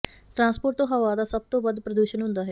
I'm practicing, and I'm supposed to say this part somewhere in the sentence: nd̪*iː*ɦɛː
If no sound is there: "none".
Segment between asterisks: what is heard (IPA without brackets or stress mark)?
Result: aː